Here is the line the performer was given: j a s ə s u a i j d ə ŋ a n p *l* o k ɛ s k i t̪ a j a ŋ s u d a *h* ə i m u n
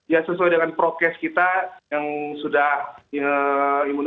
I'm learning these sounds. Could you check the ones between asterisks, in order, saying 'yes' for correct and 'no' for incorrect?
no, yes

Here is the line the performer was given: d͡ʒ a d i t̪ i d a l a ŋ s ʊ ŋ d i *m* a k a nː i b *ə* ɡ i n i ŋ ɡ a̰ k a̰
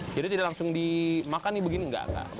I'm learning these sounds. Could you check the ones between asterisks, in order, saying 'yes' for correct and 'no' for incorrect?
yes, yes

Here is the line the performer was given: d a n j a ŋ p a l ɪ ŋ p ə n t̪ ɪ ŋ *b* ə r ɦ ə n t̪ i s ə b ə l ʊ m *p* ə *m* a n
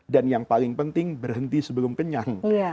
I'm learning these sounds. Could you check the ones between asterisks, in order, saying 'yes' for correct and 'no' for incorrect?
yes, no, no

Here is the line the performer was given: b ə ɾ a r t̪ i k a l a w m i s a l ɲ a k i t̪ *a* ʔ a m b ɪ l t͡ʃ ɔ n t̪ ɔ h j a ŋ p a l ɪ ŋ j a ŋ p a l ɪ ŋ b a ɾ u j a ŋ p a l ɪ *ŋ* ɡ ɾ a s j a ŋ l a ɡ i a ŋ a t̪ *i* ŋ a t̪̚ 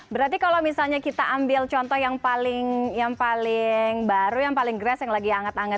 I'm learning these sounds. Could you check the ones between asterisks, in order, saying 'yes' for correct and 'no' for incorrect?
yes, yes, no

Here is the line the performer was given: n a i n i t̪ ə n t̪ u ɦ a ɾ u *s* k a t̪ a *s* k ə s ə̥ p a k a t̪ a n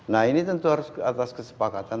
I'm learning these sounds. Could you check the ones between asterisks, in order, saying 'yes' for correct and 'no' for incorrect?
yes, yes

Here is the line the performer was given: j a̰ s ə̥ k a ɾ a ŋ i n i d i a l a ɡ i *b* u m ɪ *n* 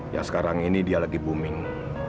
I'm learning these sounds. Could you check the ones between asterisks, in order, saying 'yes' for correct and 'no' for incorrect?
yes, no

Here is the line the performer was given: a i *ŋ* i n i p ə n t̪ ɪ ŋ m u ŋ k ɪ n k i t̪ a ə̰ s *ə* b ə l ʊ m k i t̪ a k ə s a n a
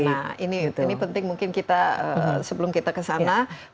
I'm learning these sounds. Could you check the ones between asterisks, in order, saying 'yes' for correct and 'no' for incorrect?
no, yes

